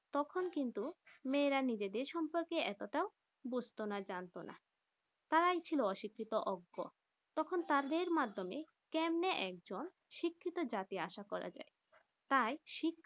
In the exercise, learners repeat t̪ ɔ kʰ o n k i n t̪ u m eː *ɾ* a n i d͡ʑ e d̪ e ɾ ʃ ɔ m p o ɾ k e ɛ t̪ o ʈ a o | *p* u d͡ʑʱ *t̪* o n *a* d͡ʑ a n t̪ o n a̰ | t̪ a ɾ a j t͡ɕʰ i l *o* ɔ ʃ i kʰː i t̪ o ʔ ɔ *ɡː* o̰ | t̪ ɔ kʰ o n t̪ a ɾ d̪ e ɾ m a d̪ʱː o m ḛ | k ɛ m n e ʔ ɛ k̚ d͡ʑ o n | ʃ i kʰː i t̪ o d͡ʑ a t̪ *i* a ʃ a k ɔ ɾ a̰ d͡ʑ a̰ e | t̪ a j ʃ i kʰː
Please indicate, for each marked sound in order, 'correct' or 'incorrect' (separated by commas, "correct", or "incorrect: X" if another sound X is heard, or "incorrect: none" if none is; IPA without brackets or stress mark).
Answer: correct, incorrect: b, correct, correct, correct, correct, correct